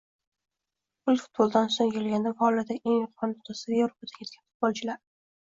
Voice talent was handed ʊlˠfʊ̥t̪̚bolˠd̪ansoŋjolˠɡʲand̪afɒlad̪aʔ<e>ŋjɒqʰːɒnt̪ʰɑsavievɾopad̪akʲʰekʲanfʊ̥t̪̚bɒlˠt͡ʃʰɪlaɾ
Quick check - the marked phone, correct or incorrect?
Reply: correct